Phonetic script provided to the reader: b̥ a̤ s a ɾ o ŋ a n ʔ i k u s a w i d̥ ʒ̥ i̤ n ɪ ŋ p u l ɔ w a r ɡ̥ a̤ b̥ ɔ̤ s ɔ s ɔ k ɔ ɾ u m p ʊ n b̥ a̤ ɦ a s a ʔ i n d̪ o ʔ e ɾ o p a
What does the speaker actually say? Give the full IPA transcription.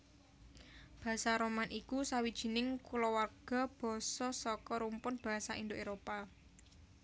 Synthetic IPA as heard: b̥ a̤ s a ɾ o m a n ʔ i k u s a w i d̥ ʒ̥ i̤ n ɪ ŋ k u l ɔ w a r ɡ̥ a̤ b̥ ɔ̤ s ɔ s ɔ k ɔ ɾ u m p ʊ n b̥ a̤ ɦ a s a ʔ i n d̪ o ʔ e ɾ o p a